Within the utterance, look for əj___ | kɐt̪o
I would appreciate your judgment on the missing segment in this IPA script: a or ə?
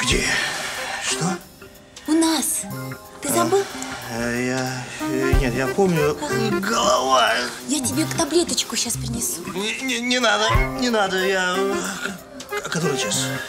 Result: a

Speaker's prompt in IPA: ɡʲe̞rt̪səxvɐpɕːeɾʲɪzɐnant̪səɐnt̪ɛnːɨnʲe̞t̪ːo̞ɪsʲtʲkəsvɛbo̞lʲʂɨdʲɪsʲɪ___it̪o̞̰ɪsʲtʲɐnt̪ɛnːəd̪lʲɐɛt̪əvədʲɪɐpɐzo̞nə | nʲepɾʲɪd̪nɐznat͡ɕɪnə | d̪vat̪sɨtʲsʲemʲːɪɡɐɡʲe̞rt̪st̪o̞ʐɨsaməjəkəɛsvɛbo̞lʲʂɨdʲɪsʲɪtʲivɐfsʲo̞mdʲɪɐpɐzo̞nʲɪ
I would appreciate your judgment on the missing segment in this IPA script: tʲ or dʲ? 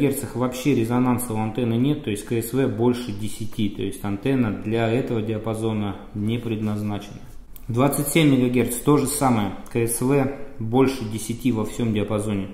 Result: tʲ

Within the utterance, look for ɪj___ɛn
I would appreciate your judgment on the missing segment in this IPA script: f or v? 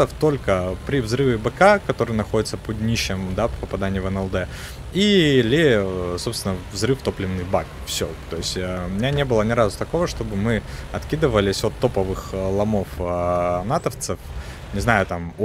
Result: v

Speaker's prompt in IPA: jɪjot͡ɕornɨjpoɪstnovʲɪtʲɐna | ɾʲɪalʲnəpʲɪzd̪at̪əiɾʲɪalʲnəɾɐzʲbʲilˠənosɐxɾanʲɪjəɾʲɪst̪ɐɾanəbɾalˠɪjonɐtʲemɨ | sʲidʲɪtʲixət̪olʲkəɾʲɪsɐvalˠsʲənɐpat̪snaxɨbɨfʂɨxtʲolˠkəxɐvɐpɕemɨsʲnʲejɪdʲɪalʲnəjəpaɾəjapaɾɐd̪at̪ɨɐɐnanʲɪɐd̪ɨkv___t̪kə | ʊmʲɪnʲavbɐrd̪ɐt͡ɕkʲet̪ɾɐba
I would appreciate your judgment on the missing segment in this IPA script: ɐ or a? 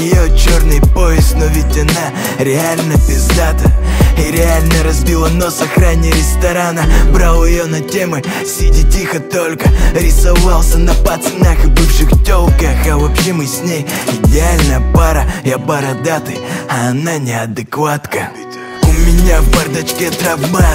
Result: a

